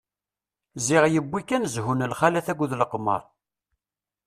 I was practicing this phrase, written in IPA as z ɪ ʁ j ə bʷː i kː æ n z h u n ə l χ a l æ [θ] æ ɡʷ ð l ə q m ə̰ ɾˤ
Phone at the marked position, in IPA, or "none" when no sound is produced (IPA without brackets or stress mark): θ